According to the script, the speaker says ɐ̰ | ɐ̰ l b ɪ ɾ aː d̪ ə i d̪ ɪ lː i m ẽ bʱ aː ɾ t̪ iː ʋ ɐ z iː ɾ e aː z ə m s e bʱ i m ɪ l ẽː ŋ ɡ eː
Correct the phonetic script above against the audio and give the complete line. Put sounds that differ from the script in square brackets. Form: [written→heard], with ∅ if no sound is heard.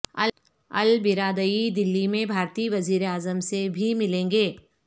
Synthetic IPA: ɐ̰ | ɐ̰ l b ɪ ɾ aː d̪ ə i d̪ ɪ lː i m ẽ bʱ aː ɾ t̪ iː ʋ ɐ z iː ɾ e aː z ə m s e bʱ i m ɪ l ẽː ŋ ɡ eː